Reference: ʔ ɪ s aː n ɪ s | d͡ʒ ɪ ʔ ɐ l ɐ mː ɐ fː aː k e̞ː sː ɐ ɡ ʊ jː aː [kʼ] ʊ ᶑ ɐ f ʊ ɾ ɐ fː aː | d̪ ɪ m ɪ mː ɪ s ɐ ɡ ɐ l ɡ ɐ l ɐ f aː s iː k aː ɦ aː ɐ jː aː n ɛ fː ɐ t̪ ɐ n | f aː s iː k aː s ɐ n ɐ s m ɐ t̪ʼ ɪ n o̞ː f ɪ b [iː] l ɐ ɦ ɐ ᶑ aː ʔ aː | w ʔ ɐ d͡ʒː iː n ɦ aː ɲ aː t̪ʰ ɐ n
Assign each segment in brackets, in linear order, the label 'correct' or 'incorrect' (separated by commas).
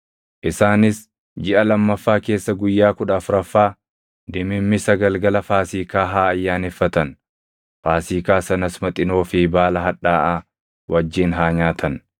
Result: incorrect, incorrect